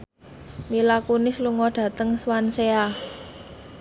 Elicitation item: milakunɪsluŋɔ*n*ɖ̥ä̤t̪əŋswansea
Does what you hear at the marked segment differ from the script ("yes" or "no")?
yes